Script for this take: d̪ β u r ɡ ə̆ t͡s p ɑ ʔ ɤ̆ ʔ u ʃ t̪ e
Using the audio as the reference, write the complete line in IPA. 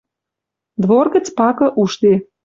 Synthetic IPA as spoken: d̪ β o r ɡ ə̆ t͡s p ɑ k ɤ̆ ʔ u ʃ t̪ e